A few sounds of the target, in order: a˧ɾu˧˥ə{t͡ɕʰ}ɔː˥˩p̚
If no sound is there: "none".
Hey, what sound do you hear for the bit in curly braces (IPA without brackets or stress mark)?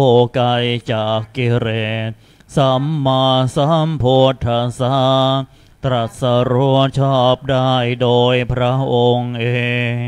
t͡ɕʰ